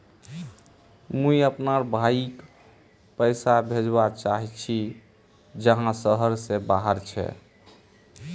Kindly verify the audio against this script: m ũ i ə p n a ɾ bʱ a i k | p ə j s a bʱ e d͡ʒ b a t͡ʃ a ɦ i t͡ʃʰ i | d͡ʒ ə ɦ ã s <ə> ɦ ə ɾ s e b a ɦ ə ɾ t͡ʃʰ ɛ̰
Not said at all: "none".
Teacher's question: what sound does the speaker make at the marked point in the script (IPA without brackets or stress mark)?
ə